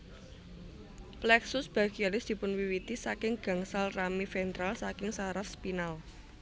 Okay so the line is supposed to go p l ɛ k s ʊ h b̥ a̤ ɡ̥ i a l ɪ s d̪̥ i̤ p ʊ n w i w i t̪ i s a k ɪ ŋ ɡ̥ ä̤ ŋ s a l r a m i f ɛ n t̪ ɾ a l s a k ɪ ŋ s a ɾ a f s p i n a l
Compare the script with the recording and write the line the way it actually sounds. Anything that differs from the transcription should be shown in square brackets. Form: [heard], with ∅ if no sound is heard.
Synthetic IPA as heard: p l ɛ k s ʊ [s] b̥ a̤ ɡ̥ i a l ɪ s d̪̥ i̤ p ʊ n w i w i t̪ i s a k ɪ ŋ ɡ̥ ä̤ ŋ s a l r a m i f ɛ n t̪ ɾ a l s a k ɪ ŋ s a ɾ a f s p i n a l